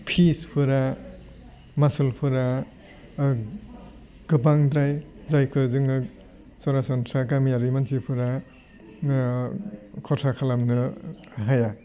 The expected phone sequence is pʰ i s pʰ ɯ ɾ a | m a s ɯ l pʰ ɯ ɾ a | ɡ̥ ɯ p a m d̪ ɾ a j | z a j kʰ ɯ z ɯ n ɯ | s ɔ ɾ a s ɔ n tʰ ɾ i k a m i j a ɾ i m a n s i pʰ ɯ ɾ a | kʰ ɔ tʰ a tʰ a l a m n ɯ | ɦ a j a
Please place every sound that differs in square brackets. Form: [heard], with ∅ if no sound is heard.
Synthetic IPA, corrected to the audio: pʰ i s pʰ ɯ ɾ a | m a s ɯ l pʰ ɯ ɾ a | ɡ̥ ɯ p a [ŋ] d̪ ɾ a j | z a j kʰ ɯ z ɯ [ŋ] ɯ | s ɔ ɾ a s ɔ n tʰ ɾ [a] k a m i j a ɾ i m a n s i pʰ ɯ ɾ a | kʰ ɔ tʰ a [kʰ] a l a m n ɯ | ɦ a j a